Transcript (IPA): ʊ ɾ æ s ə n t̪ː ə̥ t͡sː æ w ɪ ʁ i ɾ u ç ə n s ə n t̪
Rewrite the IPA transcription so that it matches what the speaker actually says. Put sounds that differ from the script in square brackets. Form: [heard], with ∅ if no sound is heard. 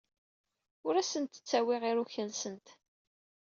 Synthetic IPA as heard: ʊ ɾ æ s ə n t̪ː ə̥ t͡sː æ w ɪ ʁ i ɾ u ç ə n s ə n t̪